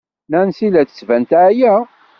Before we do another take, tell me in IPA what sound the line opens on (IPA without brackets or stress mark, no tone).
n